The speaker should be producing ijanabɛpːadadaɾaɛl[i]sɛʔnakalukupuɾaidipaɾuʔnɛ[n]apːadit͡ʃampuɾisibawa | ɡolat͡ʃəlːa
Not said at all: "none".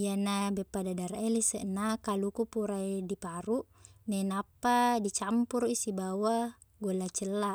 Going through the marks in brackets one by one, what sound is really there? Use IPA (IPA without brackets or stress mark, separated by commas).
i, n